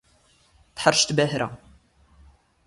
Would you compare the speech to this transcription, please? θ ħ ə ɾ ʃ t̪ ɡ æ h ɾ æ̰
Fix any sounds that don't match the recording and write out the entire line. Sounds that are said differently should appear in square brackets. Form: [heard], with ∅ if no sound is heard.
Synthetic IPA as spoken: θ ħ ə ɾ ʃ t̪ [b] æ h ɾ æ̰